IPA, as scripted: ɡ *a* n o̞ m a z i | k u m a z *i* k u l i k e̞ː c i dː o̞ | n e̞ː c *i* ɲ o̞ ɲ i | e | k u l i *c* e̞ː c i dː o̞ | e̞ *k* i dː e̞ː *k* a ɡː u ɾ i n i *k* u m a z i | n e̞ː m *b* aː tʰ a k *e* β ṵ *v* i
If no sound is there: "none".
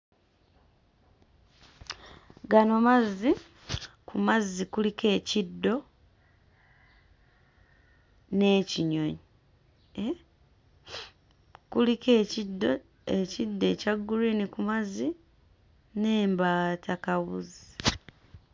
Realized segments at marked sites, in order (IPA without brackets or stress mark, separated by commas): a, i, i, k, c, c, k, b, a, z